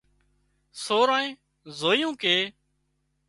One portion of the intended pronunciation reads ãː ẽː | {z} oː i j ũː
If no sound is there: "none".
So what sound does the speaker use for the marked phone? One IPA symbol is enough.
z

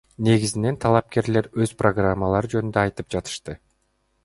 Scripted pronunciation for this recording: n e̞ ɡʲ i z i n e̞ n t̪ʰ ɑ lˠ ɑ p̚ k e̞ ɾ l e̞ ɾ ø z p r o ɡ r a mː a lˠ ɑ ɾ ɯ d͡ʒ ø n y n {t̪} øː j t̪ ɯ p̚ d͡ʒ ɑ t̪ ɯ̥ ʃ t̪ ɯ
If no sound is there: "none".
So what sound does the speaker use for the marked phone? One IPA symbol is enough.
d̪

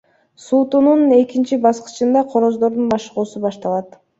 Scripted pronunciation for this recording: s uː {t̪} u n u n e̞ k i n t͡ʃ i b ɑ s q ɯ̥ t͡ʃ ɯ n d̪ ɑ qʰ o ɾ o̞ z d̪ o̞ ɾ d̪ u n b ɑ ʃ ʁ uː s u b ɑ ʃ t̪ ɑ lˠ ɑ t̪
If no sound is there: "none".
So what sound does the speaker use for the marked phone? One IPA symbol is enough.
t̪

